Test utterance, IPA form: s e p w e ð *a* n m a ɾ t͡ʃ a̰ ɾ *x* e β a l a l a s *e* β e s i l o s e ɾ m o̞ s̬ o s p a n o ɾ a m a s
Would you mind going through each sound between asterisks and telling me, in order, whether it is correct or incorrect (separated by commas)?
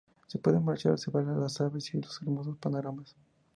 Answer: incorrect, incorrect, incorrect